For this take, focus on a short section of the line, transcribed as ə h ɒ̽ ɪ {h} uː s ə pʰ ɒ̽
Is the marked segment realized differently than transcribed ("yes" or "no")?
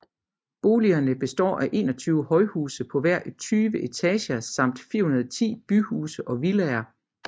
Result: no